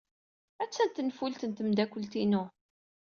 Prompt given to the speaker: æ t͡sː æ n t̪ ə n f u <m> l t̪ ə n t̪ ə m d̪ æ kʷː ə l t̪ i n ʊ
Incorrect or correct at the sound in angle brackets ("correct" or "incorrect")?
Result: incorrect